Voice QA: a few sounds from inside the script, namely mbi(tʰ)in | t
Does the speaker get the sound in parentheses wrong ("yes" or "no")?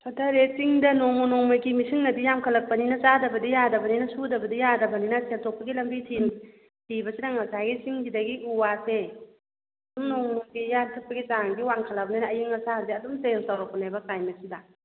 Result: no